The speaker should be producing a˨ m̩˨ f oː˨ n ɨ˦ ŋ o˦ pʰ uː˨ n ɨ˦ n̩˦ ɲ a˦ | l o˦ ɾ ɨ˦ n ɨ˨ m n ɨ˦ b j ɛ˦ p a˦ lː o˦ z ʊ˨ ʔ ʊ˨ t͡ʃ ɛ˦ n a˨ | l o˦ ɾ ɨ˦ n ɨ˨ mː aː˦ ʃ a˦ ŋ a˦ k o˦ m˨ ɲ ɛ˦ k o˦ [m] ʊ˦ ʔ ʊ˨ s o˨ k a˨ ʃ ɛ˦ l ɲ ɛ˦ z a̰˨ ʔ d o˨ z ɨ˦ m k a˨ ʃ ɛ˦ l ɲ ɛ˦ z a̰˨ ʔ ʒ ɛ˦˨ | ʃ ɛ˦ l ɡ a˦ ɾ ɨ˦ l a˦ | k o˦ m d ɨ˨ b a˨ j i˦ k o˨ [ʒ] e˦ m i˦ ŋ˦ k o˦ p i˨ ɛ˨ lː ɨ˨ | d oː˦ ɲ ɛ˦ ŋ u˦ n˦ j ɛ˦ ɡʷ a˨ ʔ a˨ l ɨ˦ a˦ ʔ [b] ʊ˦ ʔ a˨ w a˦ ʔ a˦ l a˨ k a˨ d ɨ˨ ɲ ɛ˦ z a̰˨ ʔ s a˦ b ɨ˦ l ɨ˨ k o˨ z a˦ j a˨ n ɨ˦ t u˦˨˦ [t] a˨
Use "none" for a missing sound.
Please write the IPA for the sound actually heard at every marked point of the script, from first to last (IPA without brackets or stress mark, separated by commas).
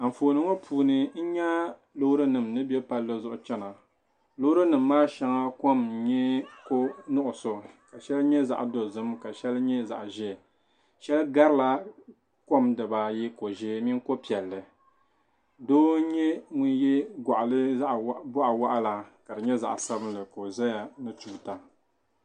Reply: n, ʒ, b, t